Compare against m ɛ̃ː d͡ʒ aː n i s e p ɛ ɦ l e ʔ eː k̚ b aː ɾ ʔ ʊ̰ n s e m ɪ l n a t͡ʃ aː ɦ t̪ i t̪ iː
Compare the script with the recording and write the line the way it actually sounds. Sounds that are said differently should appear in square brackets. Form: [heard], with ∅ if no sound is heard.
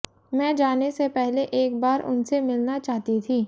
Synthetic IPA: m ɛ̃ː d͡ʒ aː n [e] s e p ɛ ɦ l e ʔ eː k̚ b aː ɾ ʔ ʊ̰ n s e m ɪ l n a t͡ʃ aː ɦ t̪ i [t̪ʰ] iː